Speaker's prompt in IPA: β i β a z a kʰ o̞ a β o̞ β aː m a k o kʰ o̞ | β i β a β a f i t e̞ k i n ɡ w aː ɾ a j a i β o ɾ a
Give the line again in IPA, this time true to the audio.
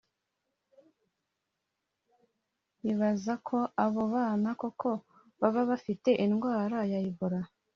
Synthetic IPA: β i β a z a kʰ o̞ a β o̞ β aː n a k o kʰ o̞ | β a β a β a f i t e̞ ʔ i n ɡ w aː ɾ a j a i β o ɾ a

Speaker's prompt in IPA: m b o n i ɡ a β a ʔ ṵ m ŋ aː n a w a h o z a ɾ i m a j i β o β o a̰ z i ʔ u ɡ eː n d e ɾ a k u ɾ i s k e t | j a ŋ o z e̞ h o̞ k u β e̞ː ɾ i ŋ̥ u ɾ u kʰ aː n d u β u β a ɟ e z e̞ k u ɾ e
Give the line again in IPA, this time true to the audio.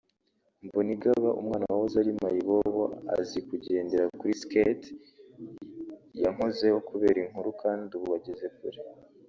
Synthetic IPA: m b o n i ɡ a β a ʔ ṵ m ŋ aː n a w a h o z a ɾ i m a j i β o β o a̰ z i k u ɟ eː n d e ɾ a k u ɾ i s k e t | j a ŋ o z e̞ h o̞ k u β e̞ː ɾ i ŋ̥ u ɾ u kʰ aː n d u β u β a ɟ e z e̞ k u ɾ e

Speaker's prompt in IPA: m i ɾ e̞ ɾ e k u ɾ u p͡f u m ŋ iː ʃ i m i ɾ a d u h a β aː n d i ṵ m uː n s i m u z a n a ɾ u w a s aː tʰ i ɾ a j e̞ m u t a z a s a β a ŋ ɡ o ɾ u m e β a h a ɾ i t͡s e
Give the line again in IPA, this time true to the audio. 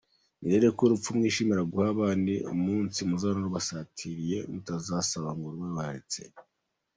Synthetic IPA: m i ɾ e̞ ɾ e k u ɾ u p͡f u m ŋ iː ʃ i m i ɾ a ɡ u h a β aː n d i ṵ m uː n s i m u z a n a ɾ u β a s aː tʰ i ɾ i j e̞ m u t a z a s a β a ŋ ɡ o ɾ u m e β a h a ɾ i t͡s e

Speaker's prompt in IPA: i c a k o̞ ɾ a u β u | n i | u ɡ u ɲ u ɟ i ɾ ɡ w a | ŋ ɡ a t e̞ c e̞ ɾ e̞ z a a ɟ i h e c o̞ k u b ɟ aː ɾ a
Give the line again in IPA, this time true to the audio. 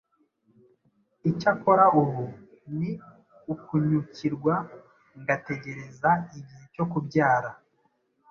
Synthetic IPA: i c a k o̞ ɾ a u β u | n i | u k u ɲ u c i ɾ ɡ w a | ŋ ɡ a t e̞ ɟ e̞ ɾ e̞ z a i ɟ i h e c o̞ k u b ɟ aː ɾ a

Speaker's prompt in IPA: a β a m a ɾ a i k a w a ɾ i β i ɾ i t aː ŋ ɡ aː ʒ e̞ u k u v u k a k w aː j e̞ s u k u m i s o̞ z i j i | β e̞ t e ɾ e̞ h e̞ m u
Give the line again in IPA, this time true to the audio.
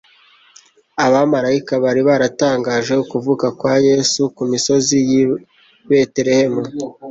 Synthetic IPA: a β a m a ɾ a i k a β a ɾ i β a ɾ a t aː ŋ ɡ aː ʒ e̞ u k u v u k a k w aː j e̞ s u k u m i s o̞ z i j i | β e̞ t e ɾ e̞ h e̞ m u

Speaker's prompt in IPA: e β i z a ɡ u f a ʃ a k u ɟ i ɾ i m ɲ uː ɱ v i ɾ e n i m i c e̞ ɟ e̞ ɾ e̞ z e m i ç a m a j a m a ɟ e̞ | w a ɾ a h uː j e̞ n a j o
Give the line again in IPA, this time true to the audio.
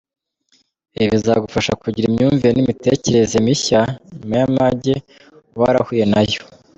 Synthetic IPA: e β i z a ɡ u f a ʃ a k u ɟ i ɾ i m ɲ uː ɱ v i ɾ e n i m i t e̞ c e̞ ɾ e̞ z e m i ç a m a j a m a ɟ e̞ | w a ɾ a h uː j e̞ n a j o

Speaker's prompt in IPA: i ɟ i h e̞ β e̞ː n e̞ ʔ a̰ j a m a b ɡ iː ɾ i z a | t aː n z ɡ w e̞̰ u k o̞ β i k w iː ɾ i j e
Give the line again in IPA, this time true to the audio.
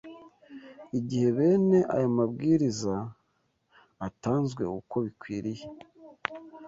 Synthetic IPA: i ɟ i h e̞ β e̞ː n e̞ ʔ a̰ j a m a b ɡ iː ɾ i z a | t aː n z ɡ w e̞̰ u k o̞ β i k w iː ɾ i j e

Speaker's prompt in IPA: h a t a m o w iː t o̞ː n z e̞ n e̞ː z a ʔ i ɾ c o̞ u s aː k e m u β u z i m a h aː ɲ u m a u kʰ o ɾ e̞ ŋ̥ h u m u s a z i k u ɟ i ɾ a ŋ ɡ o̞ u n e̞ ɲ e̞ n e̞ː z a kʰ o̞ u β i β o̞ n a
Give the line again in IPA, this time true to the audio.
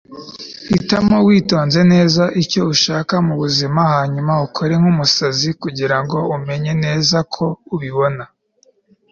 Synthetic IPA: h i t a m o w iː t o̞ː n z e̞ n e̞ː z a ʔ i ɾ c o̞ u ʃ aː k a m u β u z i m a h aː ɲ u m a u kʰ o ɾ e̞ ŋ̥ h u m u s a z i k u ɟ i ɾ a ŋ ɡ o̞ u m e̞ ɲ e̞ n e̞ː z a kʰ o̞ u β i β o̞ n a

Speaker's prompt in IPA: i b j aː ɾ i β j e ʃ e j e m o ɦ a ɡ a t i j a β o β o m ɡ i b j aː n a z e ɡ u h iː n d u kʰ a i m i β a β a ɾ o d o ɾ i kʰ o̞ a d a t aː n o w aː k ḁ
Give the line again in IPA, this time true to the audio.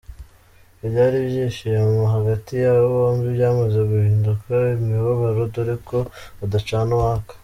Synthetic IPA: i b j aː ɾ i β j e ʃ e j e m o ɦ a ɡ a t i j a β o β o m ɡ i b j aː m a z e ɡ u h iː n d u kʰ a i m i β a β a ɾ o d o ɾ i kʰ o̞ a d a t͡ʃ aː n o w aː k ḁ

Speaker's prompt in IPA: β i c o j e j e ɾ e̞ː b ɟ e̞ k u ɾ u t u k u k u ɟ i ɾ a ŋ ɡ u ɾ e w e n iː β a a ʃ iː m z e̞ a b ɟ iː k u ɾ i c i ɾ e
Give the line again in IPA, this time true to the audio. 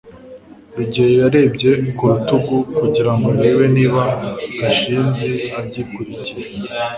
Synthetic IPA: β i ɟ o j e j a ɾ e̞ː b ɟ e̞ k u ɾ u t u ɡ u k u ɟ i ɾ a ŋ ɡ o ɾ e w e n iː β a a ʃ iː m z e̞ a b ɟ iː k u ɾ i c i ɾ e

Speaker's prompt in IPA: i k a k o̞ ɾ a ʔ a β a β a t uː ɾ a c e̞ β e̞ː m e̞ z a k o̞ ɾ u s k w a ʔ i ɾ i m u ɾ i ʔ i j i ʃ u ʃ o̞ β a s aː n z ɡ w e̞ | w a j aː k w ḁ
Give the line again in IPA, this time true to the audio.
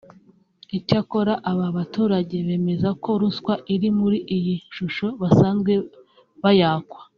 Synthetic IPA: i c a k o̞ ɾ a ʔ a β a β a t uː ɾ a ɟ e̞ β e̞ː m e̞ z a k o̞ ɾ u s k w a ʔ i ɾ i m u ɾ i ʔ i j i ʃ u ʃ o̞ β a s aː n z ɡ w e̞ | β a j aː k w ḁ

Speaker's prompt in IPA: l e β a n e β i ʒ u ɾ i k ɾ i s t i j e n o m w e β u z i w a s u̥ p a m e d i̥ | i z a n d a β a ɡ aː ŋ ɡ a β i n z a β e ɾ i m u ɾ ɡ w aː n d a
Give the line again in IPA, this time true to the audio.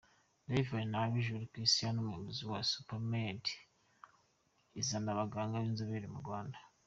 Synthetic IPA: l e v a n a β i ʒ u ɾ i k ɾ i s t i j a n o m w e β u z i w a s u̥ p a m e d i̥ | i z a n d a β a ɡ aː ŋ ɡ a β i n z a β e ɾ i m u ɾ ɡ w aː n d a

